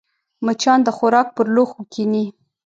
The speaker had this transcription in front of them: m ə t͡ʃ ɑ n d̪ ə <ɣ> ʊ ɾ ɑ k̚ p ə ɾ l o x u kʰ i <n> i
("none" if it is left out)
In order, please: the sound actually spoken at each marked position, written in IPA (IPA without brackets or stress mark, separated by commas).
x, n